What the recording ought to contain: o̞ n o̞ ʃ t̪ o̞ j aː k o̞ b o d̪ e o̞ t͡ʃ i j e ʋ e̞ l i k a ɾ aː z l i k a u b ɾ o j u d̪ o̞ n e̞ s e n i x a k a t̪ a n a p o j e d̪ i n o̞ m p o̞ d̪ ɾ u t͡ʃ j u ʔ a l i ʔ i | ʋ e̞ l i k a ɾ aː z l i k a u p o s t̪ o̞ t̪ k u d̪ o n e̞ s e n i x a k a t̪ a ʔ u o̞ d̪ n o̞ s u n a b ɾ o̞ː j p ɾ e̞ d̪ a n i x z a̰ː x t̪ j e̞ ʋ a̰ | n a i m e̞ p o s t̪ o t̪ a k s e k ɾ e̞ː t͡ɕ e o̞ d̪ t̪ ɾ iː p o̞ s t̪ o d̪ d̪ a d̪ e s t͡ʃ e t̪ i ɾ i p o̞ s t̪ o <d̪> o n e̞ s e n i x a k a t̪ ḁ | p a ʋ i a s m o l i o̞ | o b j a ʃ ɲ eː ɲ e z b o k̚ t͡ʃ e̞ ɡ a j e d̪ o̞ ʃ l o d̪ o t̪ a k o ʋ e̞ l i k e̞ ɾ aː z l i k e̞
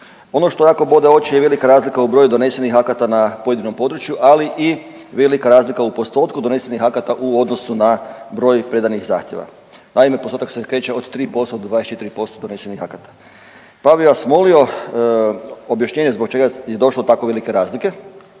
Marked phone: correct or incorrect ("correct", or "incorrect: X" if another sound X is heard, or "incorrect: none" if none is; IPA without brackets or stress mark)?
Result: correct